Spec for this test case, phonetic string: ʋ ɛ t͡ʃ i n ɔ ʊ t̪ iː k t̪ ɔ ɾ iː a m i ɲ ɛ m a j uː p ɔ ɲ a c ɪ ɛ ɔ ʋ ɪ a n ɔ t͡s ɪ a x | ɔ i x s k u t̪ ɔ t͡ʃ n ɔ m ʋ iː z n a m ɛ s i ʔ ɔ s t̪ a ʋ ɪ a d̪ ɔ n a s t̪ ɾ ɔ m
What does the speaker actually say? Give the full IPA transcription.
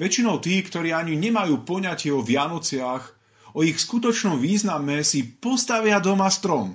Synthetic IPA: ʋ ɛ t͡ʃ i n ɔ ʊ t̪ iː k t̪ ɔ ɾ iː a ɲ i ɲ ɛ m a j uː p ɔ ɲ a c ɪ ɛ ɔ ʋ ɪ a n ɔ t͡s ɪ a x | ɔ i x s k u t̪ ɔ t͡ʃ n ɔ m ʋ iː z n a m ɛ s i p ɔ s t̪ a ʋ ɪ a d̪ ɔ m a s t̪ ɾ ɔ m